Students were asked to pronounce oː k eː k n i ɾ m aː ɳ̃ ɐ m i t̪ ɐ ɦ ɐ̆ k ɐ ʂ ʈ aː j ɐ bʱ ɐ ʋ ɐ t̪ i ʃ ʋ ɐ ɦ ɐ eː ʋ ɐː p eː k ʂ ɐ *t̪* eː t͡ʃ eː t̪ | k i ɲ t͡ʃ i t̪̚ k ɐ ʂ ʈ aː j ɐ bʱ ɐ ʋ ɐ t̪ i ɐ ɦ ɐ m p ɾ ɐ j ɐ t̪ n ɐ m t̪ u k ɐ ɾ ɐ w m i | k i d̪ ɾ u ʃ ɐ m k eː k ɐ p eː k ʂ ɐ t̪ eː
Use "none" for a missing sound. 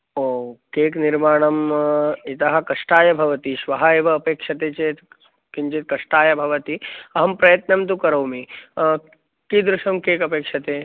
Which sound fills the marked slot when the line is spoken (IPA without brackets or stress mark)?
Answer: t̪